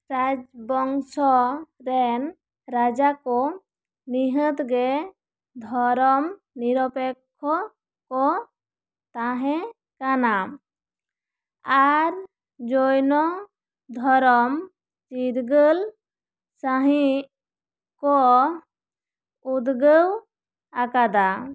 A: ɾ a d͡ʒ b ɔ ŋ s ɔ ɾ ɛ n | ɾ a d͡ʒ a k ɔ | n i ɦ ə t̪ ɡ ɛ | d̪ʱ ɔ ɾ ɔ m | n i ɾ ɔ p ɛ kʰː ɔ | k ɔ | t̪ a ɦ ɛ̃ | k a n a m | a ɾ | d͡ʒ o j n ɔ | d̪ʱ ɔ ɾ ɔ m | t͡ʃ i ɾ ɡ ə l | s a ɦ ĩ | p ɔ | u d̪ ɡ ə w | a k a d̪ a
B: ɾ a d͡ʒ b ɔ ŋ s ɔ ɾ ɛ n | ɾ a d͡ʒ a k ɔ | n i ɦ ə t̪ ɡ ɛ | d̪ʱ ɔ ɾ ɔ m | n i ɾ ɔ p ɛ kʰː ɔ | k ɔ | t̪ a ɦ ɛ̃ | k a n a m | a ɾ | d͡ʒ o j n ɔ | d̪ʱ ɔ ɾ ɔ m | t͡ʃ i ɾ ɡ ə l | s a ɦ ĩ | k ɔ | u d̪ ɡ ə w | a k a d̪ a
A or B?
B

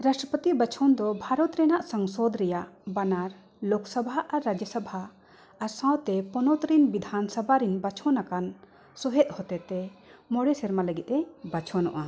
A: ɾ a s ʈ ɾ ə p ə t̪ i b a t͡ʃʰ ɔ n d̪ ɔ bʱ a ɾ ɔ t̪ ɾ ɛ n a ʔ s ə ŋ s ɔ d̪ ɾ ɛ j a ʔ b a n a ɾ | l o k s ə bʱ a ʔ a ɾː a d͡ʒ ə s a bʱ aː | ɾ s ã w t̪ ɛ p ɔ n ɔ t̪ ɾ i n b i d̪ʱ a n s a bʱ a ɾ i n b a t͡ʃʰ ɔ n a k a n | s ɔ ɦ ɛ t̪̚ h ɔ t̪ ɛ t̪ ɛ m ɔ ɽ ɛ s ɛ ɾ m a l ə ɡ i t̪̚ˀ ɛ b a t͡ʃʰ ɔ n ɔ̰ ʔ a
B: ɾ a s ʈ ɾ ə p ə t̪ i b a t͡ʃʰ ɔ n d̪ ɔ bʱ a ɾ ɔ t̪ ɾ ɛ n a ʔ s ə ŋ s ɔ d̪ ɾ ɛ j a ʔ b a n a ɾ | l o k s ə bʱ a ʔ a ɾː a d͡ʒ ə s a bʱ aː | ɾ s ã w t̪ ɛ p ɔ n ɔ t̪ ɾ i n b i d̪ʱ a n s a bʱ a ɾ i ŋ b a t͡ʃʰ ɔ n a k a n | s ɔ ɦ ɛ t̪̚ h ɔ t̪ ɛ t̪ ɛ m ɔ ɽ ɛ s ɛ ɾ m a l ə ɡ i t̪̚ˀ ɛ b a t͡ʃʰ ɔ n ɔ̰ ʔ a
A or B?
A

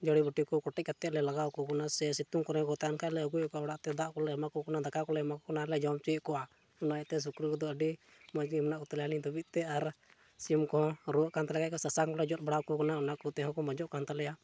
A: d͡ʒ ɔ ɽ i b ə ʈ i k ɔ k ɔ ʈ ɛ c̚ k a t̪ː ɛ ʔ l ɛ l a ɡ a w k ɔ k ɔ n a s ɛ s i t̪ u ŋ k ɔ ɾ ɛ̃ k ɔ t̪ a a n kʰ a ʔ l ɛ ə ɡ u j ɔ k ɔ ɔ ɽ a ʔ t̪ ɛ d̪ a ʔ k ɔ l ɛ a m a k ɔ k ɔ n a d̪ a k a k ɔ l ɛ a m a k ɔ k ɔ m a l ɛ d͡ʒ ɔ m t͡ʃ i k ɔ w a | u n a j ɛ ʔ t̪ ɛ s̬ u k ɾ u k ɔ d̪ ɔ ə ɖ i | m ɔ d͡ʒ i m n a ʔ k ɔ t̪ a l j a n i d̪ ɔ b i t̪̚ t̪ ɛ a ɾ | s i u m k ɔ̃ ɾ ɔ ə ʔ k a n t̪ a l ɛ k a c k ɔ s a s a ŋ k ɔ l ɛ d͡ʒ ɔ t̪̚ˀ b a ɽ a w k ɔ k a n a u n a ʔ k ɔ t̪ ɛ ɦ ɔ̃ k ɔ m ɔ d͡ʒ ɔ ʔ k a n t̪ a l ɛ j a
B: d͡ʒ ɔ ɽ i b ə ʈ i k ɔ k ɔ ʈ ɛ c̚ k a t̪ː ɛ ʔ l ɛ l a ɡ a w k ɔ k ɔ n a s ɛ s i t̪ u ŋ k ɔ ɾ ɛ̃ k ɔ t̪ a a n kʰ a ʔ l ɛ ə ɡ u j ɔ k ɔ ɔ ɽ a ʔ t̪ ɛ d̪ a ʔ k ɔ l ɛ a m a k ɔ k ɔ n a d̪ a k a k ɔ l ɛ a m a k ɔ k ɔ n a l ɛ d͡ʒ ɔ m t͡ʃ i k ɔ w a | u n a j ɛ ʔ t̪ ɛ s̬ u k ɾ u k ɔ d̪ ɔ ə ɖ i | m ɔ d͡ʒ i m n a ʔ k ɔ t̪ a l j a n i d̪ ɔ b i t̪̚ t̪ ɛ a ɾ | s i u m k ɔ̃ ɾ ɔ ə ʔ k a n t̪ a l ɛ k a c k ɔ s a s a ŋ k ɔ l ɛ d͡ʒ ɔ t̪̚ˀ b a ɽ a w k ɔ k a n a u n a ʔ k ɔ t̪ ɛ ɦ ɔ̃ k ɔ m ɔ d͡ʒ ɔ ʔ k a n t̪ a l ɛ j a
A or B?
B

